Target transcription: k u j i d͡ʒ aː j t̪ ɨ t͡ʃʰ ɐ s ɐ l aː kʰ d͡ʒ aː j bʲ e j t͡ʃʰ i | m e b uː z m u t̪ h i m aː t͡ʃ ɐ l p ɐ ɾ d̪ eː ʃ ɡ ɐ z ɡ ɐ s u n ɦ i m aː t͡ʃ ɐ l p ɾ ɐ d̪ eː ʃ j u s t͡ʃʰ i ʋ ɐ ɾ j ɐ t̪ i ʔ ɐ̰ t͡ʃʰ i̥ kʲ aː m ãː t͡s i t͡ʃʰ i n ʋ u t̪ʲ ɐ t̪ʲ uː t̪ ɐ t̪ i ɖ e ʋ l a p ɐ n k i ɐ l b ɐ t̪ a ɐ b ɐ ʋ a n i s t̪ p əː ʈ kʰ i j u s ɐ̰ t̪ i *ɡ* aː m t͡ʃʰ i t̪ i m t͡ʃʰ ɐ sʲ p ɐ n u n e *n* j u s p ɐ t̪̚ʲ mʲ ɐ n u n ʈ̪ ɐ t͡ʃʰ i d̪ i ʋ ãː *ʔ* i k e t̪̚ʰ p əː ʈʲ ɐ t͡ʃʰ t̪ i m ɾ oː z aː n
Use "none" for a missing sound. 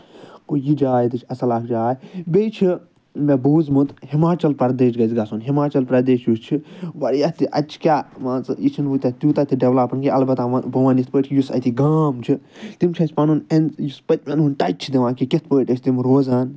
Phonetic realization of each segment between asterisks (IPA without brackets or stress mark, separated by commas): ɡ, n, k